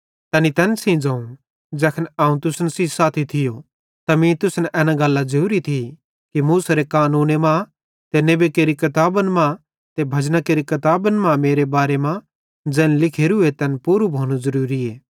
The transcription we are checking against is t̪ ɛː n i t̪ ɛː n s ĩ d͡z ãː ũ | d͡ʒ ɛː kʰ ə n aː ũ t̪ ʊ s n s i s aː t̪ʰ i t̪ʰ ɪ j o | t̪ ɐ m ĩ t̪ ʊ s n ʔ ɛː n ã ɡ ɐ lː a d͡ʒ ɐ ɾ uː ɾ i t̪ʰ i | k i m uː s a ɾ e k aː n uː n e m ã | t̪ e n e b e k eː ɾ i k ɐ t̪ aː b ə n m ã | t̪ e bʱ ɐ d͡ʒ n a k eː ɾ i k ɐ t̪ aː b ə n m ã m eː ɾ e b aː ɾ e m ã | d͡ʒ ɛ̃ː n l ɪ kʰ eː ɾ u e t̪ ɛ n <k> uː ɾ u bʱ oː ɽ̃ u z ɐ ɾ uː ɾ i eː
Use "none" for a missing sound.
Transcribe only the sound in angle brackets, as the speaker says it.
p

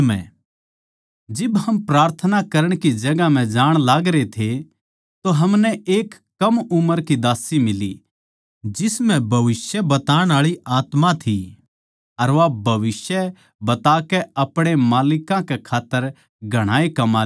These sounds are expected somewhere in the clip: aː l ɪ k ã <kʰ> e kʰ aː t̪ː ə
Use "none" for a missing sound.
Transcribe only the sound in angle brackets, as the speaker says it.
k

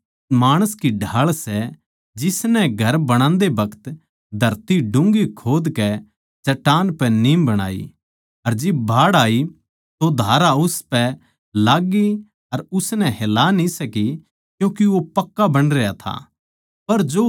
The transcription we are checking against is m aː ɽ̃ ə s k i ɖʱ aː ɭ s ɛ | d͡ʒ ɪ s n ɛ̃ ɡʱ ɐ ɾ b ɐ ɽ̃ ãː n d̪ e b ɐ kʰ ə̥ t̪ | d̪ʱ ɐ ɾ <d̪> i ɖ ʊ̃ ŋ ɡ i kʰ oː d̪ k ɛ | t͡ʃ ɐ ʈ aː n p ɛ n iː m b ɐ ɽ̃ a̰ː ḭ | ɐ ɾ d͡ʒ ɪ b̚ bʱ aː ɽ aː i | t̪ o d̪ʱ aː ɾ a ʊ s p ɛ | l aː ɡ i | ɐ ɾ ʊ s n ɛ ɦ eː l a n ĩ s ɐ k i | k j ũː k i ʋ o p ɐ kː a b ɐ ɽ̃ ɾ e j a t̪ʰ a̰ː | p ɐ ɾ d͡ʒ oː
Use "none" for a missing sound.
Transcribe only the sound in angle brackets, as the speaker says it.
t̪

